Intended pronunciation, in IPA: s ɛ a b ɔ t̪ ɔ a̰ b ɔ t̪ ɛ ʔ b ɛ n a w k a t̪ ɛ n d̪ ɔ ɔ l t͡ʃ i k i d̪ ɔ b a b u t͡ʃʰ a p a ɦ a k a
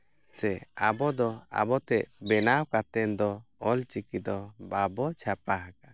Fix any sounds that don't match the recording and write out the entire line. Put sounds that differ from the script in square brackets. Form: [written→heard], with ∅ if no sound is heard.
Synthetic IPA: s ɛ a b ɔ [t̪→d̪] ɔ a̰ b ɔ t̪ ɛ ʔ b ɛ n a w k a t̪ ɛ n d̪ ɔ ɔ l t͡ʃ i k i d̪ ɔ b a b [u→ɔ] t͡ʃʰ a p a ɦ a k a